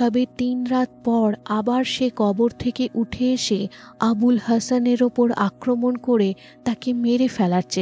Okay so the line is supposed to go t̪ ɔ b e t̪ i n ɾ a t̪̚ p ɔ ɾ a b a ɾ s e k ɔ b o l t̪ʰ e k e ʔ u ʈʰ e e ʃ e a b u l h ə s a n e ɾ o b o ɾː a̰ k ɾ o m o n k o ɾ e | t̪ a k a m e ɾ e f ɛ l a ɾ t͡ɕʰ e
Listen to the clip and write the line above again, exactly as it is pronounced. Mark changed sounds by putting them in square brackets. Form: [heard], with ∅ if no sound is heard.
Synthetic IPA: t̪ ɔ b e t̪ i n ɾ a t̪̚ p ɔ ɾ a b a ɾ [ʃ] e k ɔ b o [ɾ] t̪ʰ e k e ʔ u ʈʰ e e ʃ e a b u l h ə s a n e ɾ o [p] o [ɾ] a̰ k ɾ o m o n k o ɾ e | t̪ a k [e] m e ɾ e f ɛ l a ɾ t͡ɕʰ e